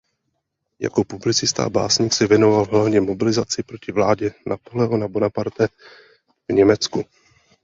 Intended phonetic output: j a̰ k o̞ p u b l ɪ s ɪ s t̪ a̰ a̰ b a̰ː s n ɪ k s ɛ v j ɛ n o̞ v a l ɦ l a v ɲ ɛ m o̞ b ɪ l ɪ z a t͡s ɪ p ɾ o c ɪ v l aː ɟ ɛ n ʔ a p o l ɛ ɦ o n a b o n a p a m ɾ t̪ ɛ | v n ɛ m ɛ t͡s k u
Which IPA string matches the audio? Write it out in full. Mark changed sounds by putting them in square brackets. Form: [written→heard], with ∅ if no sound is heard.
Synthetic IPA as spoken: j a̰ k o̞ p u b l ɪ [s→t͡s] ɪ s t̪ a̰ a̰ b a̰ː s [n→ɲ] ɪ k s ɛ v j ɛ n o̞ v a l ɦ l a v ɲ ɛ m o̞ b ɪ l ɪ z a t͡s ɪ p ɾ o c ɪ v l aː ɟ ɛ n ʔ a p o l ɛ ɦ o n a b o n a p a [m→∅] ɾ t̪ ɛ | v [n→ɲ] ɛ m ɛ t͡s k u